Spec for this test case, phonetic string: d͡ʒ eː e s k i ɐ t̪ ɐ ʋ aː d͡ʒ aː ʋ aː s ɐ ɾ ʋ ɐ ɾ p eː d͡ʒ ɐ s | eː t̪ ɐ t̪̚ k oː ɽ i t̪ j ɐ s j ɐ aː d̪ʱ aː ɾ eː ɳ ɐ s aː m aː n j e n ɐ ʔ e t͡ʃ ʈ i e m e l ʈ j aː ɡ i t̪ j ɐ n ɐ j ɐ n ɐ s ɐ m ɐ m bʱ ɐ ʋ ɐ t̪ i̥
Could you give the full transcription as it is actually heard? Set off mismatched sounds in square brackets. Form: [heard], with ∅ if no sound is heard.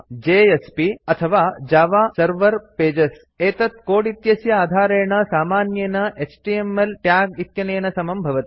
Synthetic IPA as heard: d͡ʒ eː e s [p] i ɐ [t̪ʰ] ɐ ʋ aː d͡ʒ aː ʋ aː s ɐ ɾ ʋ ɐ ɾ p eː d͡ʒ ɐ s | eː t̪ ɐ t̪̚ k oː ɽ i t̪ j ɐ s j ɐ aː d̪ʱ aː ɾ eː ɳ ɐ s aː m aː n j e n ɐ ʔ e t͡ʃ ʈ i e m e l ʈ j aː ɡ i t̪ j ɐ n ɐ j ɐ n ɐ s ɐ m ɐ m bʱ ɐ ʋ ɐ t̪ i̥